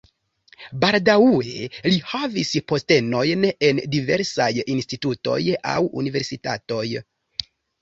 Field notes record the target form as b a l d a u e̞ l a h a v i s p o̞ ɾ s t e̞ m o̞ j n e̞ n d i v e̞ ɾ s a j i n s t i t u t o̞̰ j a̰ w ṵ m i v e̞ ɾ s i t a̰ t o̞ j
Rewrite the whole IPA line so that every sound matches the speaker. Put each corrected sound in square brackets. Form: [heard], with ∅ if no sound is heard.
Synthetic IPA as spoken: b a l d a u e̞ l [i] h a v i s p o̞ [∅] s t e̞ [n] o̞ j n e̞ n d i v e̞ ɾ s a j i n s t i t u t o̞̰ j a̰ w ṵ [n] i v e̞ ɾ s i t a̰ t o̞ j